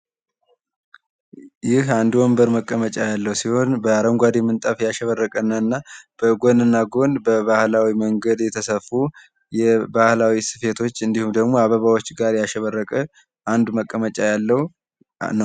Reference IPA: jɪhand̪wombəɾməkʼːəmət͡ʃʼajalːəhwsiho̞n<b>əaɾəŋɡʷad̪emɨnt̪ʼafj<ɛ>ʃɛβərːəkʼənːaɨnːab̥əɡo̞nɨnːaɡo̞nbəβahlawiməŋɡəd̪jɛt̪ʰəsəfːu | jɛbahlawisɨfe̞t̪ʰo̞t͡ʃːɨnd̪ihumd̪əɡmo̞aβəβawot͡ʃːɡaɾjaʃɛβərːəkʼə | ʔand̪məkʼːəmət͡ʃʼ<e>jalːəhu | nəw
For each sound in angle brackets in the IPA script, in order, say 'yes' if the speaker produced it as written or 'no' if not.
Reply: yes, no, no

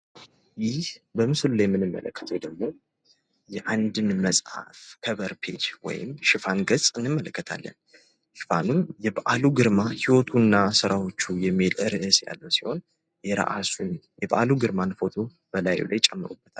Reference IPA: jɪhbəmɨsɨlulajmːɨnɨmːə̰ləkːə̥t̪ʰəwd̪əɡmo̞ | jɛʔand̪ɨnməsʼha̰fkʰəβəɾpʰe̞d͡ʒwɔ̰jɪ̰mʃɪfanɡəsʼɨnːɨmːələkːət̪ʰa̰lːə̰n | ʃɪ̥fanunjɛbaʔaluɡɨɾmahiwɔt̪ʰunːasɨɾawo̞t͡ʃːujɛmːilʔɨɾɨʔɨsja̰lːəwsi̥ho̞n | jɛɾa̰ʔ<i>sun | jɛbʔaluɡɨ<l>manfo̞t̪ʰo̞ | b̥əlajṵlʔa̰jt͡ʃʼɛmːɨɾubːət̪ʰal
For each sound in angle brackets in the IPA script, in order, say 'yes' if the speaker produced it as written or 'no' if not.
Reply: no, no

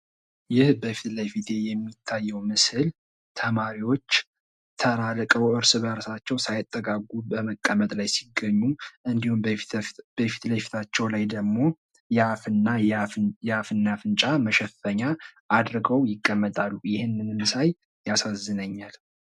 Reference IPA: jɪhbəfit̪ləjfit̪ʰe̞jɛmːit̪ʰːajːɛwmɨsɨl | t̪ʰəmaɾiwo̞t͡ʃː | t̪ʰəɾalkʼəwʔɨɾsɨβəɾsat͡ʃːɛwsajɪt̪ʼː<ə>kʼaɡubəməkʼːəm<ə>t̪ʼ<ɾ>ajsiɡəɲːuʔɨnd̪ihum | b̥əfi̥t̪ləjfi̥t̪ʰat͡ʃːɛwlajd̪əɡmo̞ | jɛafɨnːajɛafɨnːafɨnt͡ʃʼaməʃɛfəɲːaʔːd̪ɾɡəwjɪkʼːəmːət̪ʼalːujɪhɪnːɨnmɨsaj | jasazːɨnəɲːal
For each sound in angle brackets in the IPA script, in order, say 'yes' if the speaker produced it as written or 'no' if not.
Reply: yes, yes, no

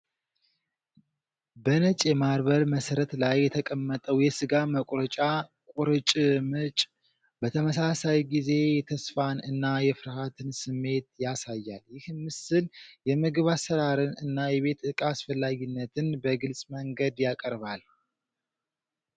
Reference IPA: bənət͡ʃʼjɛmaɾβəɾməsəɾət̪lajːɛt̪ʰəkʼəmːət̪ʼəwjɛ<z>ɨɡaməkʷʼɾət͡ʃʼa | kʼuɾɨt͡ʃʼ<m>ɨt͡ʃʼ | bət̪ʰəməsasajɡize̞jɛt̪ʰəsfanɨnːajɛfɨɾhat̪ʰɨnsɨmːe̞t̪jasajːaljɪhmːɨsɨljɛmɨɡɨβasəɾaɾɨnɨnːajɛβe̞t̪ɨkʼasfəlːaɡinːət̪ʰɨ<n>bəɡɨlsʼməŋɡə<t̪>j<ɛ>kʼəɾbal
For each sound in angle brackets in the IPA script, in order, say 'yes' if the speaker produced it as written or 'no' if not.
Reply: no, yes, yes, no, no

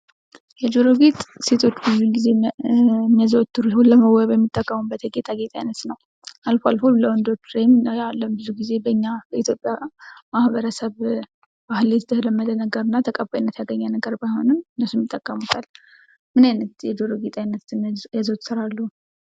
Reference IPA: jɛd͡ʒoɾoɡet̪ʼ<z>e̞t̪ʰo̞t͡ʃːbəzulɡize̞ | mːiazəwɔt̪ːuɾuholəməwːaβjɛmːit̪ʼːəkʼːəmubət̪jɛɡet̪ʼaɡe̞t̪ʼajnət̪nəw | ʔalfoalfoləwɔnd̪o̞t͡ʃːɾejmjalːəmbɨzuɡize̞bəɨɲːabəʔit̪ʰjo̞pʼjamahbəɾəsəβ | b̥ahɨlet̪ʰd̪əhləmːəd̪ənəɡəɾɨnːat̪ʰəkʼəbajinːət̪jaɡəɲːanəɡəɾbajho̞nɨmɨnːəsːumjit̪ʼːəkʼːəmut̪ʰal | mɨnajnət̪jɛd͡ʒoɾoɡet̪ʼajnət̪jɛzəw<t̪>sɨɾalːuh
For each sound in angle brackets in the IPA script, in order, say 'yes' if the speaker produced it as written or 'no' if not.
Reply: no, yes

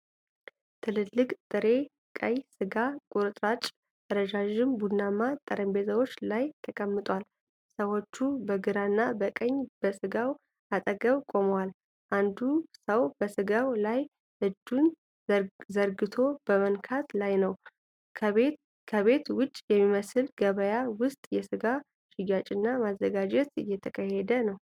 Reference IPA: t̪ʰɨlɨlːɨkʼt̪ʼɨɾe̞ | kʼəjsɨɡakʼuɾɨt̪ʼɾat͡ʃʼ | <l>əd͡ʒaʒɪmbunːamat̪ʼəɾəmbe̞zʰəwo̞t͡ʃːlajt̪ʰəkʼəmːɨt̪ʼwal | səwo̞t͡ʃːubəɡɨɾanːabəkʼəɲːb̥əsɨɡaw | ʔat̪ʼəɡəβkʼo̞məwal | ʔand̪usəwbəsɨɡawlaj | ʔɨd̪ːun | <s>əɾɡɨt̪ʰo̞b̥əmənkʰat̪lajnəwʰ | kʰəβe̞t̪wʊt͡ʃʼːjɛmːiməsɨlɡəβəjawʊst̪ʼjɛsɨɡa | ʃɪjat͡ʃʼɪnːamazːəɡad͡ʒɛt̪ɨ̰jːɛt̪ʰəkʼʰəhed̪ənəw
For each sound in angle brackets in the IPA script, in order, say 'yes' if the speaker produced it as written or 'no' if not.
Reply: no, no

